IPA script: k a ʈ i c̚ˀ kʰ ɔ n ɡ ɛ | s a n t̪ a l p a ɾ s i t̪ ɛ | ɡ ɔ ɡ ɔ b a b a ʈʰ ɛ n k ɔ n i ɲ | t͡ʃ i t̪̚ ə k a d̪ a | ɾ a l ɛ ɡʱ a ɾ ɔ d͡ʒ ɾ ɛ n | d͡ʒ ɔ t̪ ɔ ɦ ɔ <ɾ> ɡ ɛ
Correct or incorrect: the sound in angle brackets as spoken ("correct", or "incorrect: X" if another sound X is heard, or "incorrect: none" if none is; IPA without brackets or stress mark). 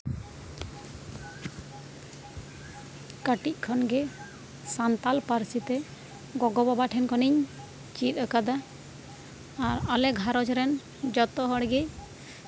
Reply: incorrect: ɽ